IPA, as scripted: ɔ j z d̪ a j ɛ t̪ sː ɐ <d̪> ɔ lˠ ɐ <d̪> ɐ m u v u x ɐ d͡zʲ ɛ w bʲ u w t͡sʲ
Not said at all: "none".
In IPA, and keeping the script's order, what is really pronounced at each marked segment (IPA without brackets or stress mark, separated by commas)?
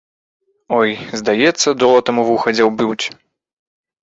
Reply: d̪, t̪